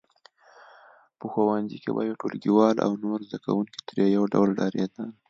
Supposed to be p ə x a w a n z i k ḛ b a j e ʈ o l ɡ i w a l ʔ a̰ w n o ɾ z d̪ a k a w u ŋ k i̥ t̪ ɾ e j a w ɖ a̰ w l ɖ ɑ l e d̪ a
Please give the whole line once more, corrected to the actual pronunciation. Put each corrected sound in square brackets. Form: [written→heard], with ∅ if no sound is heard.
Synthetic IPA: p ə x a w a n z i k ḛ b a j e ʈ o l ɡ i w [a→ɑ] l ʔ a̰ w n o ɾ z d̪ a k a w u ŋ k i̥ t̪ ɾ e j a w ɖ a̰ w l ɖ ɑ [l→ɾ] e d̪ a